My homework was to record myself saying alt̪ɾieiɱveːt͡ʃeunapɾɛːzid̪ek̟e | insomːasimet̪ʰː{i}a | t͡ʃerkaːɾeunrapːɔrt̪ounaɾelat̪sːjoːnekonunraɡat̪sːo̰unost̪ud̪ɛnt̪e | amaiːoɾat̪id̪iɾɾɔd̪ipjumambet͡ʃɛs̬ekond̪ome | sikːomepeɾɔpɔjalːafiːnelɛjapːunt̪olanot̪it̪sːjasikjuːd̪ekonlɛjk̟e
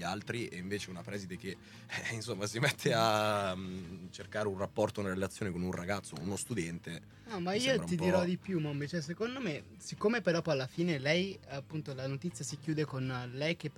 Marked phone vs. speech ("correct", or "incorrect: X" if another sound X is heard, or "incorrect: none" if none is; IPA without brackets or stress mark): incorrect: e